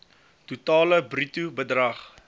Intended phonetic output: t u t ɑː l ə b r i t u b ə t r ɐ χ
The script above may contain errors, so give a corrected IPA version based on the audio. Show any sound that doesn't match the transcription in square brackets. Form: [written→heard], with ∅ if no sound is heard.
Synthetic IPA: t u t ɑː l ə b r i t u b ə [t→d] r ɐ χ